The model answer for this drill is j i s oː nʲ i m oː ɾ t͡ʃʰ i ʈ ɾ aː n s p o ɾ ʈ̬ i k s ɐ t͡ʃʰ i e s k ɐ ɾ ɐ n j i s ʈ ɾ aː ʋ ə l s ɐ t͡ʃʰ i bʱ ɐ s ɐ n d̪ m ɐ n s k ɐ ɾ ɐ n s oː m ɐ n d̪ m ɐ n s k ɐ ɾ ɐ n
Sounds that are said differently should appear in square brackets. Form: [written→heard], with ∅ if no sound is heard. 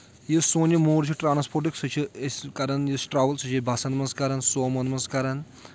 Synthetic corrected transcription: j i s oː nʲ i m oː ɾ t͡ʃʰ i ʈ ɾ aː n s p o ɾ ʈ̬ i k s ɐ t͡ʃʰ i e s k ɐ ɾ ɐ n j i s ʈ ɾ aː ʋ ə l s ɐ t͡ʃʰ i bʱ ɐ s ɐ n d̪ m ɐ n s k ɐ ɾ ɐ n s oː m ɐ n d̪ m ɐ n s k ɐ ɾ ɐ n